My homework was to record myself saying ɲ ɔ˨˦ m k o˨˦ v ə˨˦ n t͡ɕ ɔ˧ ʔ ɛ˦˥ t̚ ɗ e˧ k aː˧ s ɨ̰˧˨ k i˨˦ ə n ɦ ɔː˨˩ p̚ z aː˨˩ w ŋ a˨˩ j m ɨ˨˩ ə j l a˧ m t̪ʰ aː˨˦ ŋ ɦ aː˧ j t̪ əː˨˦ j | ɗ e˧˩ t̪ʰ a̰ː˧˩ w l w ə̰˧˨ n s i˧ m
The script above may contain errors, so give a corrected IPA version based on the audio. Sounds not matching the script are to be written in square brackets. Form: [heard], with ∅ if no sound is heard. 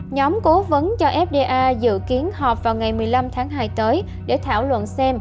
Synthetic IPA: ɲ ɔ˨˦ m k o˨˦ v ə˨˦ n t͡ɕ ɔ˧ ʔ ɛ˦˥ [p̚] ɗ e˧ [ʔ] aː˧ [z] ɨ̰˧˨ k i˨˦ ə n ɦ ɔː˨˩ p̚ [v] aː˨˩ w ŋ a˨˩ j m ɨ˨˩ ə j l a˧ m t̪ʰ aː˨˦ ŋ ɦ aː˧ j t̪ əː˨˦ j | ɗ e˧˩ t̪ʰ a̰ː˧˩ w l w ə̰˧˨ n s [ɛ˧] m